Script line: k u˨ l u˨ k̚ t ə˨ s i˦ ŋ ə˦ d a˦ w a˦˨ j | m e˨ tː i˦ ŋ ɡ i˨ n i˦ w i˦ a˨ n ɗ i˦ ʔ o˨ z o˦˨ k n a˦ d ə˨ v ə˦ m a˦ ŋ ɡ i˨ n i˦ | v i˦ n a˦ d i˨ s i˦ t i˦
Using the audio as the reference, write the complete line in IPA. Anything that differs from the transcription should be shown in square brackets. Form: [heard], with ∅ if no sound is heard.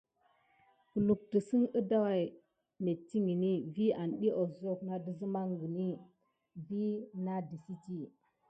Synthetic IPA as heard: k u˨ l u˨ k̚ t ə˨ s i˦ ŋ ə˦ d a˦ w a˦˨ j | m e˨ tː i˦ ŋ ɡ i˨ n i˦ [v] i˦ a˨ n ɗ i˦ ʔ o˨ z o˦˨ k n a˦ d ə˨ [z] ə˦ m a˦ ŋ ɡ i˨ n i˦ | v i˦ n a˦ d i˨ s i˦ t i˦